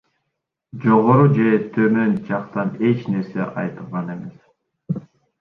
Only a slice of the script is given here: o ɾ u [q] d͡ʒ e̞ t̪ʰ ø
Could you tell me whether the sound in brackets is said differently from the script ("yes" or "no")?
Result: yes